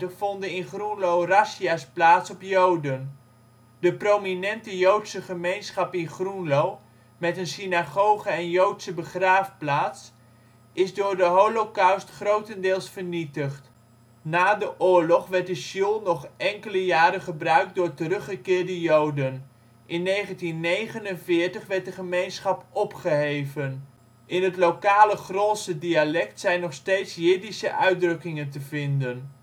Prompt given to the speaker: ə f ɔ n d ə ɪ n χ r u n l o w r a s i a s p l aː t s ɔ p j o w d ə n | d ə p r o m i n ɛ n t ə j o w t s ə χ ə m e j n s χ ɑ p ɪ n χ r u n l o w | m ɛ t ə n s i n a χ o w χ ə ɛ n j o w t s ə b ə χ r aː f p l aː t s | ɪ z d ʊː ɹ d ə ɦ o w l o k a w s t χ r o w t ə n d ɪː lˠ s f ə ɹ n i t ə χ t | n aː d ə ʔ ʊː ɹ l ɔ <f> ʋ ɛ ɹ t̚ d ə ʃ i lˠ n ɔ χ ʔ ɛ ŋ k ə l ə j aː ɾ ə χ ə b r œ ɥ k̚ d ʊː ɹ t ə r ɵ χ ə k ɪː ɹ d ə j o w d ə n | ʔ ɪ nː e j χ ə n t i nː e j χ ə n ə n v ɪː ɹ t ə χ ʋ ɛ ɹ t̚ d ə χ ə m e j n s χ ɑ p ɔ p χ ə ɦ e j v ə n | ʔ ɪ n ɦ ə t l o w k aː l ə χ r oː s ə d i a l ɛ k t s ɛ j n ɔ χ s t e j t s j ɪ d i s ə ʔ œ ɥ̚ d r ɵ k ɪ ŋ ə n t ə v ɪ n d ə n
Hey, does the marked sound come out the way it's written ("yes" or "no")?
no